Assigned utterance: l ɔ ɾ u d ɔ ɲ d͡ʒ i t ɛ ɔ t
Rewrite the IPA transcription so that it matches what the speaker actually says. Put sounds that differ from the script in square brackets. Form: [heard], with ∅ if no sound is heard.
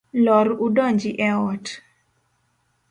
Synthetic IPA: l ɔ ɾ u d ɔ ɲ d͡ʒ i [ʔ] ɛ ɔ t